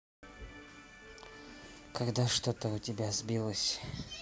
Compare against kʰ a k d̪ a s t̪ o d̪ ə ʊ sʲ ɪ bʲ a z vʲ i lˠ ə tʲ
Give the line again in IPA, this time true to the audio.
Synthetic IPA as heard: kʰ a ɡ d̪ a ʂ t̪ o t̪ ə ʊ tʲ ɪ bʲ a z bʲ i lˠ ə sʲ